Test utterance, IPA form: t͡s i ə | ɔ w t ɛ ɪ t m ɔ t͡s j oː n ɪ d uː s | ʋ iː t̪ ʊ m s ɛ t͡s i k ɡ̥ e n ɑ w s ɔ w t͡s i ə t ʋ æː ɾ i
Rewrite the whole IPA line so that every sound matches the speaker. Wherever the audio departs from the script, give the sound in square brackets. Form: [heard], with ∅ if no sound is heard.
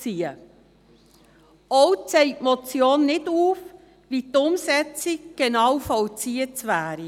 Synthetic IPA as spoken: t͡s i ə | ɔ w [t͡s] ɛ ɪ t m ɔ t͡s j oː [nː] ɪ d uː [f] | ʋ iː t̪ ʊ m s ɛ t͡s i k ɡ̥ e n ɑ w [f] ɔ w t͡s i ə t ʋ æː ɾ i